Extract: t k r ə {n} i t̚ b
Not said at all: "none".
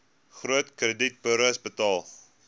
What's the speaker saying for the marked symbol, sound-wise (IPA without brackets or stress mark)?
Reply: d